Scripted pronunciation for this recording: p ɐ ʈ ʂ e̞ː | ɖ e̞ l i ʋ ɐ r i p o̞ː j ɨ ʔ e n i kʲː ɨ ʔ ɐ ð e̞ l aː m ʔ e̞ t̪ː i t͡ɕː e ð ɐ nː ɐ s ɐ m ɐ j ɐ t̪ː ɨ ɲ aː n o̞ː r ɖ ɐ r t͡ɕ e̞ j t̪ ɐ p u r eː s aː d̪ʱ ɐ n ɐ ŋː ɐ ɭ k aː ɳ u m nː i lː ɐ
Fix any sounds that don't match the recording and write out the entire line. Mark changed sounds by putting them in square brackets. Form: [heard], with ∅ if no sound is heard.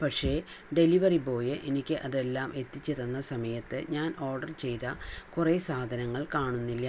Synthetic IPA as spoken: p ɐ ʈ ʂ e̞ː | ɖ e̞ l i ʋ ɐ r i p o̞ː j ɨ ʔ e n i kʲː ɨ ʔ ɐ ð e̞ [lː] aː m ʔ e̞ t̪ː i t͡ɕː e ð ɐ nː ɐ s ɐ m ɐ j ɐ t̪ː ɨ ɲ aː n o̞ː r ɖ ɐ r t͡ɕ e̞ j t̪ ɐ [k] u r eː s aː d̪ʱ ɐ n ɐ ŋː ɐ ɭ k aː ɳ u [∅] nː i lː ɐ